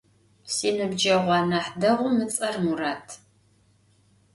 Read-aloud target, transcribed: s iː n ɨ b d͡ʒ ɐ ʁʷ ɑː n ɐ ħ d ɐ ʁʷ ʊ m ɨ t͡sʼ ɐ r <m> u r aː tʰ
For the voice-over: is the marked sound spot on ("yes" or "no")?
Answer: yes